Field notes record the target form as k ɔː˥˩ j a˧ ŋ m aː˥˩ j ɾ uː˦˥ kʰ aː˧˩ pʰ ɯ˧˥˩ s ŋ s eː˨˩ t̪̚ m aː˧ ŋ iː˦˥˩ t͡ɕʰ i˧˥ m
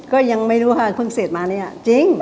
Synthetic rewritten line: k ɔː˥˩ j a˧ ŋ m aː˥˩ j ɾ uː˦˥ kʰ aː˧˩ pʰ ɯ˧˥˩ ŋ s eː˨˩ t̪̚ m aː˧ n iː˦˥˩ t͡ɕ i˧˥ ŋ

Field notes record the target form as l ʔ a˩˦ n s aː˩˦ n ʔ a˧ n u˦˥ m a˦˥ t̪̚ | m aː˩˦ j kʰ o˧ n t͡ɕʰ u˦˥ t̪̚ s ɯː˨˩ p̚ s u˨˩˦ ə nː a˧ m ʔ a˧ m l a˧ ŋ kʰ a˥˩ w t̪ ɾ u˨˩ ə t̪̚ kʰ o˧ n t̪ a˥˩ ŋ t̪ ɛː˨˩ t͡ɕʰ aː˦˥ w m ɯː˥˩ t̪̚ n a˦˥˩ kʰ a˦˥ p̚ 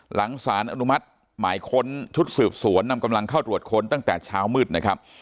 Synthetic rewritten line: l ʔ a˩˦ ŋ s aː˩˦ n ʔ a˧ n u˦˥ m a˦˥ t̪̚ | m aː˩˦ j kʰ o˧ n t͡ɕʰ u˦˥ t̪̚ s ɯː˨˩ p̚ s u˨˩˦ ə nː a˧ m k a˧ m l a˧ ŋ kʰ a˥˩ w t̪ ɾ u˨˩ ə t̪̚ kʰ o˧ n t̪ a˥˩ ŋ t̪ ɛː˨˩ t͡ɕʰ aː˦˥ w m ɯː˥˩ t̪̚ n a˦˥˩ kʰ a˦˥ p̚

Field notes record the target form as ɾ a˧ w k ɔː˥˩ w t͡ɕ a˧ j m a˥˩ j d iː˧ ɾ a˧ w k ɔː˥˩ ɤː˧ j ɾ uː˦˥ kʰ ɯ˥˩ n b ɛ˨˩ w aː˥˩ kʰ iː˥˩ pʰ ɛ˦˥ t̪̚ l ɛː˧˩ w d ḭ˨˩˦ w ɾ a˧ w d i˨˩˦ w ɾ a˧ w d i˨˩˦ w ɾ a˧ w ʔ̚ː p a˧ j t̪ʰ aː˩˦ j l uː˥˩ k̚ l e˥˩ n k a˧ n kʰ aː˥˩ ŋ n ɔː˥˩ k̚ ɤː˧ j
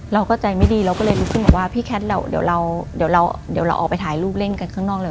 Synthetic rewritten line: ɾ a˧ w k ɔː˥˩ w t͡ɕ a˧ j m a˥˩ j d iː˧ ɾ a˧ w k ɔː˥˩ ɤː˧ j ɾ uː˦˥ kʰ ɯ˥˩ n b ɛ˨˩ w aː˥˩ pʰ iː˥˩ kʰ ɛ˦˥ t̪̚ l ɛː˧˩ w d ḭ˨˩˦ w ɾ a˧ w d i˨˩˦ w ɾ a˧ w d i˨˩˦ w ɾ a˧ w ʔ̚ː p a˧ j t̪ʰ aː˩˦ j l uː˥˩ p̚ l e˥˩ n k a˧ n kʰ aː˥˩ ŋ n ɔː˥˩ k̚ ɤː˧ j

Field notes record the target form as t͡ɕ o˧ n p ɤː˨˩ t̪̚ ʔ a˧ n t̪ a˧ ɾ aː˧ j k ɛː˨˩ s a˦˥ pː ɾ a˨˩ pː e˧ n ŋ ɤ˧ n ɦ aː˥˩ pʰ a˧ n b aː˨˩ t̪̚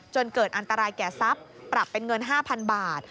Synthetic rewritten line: t͡ɕ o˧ n k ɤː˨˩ t̪̚ ʔ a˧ n t̪ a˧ ɾ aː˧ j k ɛː˨˩ s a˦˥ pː ɾ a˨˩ pː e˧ n ŋ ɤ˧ n ɦ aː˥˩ pʰ a˧ n b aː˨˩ t̪̚

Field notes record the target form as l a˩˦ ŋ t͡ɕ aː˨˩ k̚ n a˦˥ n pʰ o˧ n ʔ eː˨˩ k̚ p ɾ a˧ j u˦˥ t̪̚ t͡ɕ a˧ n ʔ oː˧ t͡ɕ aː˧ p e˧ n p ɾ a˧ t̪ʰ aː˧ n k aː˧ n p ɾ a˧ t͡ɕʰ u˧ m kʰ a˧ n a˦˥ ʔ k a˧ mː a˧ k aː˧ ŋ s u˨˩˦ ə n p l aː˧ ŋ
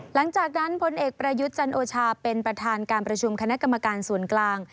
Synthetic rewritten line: l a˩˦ ŋ t͡ɕ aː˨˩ k̚ n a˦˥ n pʰ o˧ n ʔ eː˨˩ k̚ p ɾ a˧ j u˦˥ t̪̚ t͡ɕ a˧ n ʔ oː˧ t͡ɕʰ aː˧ p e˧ n p ɾ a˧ t̪ʰ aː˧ n k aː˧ n p ɾ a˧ t͡ɕʰ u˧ m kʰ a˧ n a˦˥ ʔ k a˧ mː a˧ k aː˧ n s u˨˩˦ ə n k l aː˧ ŋ

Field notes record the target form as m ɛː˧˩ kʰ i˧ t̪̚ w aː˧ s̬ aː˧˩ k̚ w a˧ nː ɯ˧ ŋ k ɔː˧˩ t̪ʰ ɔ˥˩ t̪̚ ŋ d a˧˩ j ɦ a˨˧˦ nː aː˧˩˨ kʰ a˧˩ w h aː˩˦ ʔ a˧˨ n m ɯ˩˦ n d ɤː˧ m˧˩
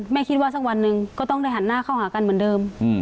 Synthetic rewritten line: m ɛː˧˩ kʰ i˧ t̪̚ w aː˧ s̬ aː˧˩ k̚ w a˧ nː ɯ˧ ŋ k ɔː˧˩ t̪ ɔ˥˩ ŋ d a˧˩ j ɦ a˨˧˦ nː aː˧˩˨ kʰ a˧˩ w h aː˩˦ k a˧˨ n m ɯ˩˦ n d ɤː˧ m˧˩

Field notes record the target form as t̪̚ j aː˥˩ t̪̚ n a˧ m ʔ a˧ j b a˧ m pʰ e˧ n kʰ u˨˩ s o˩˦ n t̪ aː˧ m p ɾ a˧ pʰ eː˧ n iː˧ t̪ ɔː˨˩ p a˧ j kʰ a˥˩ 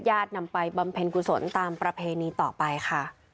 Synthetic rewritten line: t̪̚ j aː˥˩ t̪̚ n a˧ m p a˧ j b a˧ m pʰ e˧ n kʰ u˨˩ s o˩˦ n t̪ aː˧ m p ɾ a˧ pʰ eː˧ n iː˧ t̪ ɔː˨˩ p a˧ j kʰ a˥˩

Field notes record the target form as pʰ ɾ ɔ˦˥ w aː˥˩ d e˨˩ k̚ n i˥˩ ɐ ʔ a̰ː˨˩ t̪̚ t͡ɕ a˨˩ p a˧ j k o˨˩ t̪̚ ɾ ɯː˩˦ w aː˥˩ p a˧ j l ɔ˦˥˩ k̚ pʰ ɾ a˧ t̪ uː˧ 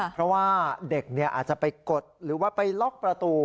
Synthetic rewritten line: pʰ ɾ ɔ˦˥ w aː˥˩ d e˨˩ k̚ n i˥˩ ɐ ʔ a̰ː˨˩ t̪̚ t͡ɕ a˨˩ p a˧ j k o˨˩ t̪̚ ɾ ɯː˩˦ w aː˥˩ p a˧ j l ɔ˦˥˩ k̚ p ɾ a˧ t̪ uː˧

